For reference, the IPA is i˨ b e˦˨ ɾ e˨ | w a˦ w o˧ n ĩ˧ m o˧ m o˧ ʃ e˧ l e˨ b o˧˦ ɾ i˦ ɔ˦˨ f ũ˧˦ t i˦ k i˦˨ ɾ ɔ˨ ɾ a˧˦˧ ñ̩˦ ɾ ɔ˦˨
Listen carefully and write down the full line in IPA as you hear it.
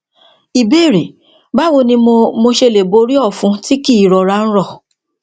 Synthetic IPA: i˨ b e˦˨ ɾ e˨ | b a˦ w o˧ n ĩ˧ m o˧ m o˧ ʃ e˧ l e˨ b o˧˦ ɾ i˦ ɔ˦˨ f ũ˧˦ t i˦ k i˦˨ ɾ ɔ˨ ɾ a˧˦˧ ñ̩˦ ɾ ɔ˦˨